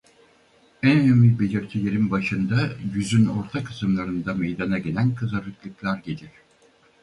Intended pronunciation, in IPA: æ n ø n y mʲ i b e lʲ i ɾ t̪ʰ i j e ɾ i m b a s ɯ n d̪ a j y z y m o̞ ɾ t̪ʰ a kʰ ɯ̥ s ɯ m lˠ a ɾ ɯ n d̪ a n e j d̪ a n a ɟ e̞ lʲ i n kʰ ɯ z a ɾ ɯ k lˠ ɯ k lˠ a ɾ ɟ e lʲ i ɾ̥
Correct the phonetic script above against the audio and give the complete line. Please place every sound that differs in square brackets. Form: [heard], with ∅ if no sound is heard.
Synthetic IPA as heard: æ n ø n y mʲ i b e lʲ i ɾ t̪ʰ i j e ɾ i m b a [ʃ] ɯ n d̪ a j y z y [n] o̞ ɾ t̪ʰ a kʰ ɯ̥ s ɯ m lˠ a ɾ ɯ n d̪ a [m] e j d̪ a n a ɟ e̞ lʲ [æ] n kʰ ɯ z a ɾ ɯ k lˠ ɯ k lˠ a ɾ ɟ e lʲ i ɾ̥

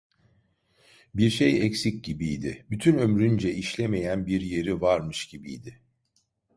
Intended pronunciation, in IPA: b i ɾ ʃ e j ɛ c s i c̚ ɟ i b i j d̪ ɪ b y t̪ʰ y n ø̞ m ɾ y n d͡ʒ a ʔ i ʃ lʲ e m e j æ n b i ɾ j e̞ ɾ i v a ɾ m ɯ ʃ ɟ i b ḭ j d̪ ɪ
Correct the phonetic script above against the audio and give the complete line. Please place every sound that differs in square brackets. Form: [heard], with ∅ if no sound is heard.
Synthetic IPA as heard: b i ɾ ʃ e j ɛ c s i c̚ ɟ i b i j d̪ ɪ b y t̪ʰ y n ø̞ m ɾ y n d͡ʒ [ɛ] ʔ i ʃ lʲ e m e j æ n b i ɾ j e̞ ɾ i v a ɾ m ɯ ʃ ɟ i b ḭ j d̪ ɪ

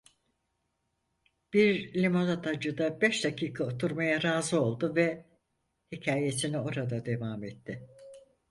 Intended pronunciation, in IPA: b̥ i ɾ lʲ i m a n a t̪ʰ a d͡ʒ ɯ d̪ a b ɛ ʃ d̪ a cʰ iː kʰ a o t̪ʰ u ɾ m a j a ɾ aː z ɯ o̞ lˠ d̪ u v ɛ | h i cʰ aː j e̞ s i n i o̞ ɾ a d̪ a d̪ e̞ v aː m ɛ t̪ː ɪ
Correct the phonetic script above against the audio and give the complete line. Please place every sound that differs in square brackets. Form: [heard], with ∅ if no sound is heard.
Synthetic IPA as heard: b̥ i ɾ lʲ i m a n a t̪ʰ a d͡ʒ ɯ d̪ a b ɛ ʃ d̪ a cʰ iː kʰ a o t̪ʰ u ɾ m a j a ɾ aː z ɯ o̞ lˠ d̪ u v ɛ | h i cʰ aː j e̞ s i n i o̞ ɾ a d̪ a d̪ e̞ v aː m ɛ t̪ː ɪ

